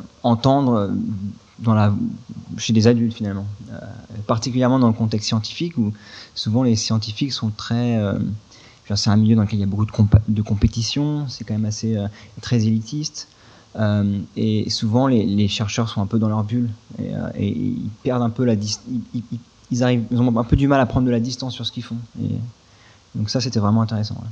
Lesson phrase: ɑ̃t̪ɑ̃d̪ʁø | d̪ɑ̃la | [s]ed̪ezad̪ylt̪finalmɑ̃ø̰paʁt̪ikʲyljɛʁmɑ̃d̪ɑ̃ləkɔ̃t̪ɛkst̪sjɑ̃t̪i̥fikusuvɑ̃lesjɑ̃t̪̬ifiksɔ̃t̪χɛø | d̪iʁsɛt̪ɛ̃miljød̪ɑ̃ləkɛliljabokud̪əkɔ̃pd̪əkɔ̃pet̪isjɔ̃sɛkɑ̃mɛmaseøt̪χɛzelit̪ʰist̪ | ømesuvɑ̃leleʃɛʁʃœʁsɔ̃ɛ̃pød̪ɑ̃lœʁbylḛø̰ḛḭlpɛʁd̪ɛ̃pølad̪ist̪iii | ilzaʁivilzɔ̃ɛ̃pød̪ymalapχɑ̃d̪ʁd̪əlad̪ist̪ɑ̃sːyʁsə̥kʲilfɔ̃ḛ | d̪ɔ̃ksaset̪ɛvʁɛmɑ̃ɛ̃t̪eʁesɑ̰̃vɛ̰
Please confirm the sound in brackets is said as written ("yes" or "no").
no